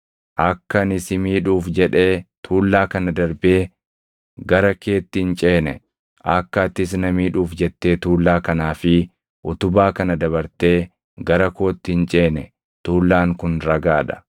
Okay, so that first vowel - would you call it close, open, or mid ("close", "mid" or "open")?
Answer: open